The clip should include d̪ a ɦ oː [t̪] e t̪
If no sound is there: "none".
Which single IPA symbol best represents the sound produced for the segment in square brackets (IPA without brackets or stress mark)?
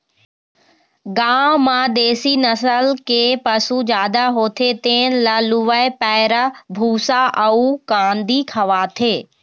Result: t̪ʰ